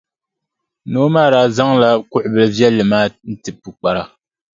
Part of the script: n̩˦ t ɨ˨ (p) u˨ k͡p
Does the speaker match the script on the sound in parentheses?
yes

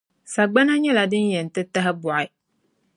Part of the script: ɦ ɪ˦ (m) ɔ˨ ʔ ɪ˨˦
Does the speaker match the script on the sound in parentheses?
no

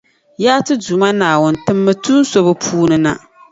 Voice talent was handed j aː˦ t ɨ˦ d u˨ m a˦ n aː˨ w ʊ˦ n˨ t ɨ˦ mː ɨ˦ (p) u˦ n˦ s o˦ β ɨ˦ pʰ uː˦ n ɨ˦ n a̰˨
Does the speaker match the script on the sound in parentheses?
no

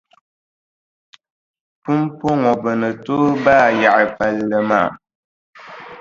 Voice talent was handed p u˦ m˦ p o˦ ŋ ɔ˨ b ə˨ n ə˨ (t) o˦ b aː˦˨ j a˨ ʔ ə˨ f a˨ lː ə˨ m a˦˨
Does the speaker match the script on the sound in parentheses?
yes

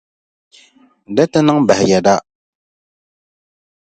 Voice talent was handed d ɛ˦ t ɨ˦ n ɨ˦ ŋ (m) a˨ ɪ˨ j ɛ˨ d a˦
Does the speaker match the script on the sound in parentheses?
no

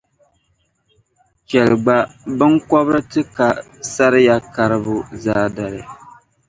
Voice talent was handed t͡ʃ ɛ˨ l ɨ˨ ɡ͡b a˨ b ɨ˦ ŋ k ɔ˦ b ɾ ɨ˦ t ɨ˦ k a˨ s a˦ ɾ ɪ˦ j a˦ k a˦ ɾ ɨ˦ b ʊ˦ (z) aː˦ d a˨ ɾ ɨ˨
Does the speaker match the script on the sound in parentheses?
yes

